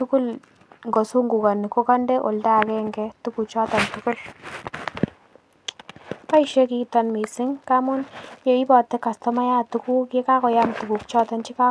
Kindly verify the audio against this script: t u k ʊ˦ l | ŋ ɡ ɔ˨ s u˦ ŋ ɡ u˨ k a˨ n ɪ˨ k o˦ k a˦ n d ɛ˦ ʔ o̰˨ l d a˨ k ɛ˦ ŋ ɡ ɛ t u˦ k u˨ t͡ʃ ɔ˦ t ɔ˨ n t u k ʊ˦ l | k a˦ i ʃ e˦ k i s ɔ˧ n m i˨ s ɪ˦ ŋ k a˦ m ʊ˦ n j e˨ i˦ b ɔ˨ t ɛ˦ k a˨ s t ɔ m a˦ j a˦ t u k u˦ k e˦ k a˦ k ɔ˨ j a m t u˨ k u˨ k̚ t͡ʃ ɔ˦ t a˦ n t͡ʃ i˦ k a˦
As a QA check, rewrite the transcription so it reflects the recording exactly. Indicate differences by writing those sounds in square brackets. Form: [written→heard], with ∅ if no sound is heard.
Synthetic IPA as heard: t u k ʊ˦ l | ŋ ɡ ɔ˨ s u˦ ŋ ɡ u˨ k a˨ n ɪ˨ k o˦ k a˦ n d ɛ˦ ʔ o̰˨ l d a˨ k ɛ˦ ŋ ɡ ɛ t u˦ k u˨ t͡ʃ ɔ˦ t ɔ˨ n t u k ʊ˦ l | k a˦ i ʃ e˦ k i [s→t] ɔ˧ n m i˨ s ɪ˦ ŋ k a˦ m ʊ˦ n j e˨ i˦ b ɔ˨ t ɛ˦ k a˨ s t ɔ m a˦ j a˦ t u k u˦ k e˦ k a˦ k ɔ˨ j a m t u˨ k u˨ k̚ t͡ʃ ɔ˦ t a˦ n t͡ʃ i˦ k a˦